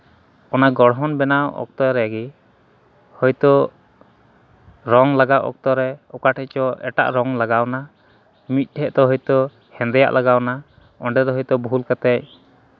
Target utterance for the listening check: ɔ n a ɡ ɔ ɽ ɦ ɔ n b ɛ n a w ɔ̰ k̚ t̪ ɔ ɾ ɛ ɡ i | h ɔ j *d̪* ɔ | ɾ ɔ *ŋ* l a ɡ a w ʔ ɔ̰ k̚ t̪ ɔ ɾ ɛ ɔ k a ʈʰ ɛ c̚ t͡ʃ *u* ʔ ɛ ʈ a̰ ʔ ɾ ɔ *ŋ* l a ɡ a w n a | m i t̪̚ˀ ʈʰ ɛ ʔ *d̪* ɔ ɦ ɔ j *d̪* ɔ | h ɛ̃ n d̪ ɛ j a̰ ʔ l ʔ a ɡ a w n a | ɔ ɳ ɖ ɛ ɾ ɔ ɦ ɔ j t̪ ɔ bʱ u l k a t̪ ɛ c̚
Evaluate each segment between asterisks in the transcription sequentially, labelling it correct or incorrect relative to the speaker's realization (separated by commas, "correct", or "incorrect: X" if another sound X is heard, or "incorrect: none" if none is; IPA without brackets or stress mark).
incorrect: t̪, correct, incorrect: ɔ, correct, incorrect: t̪, incorrect: t̪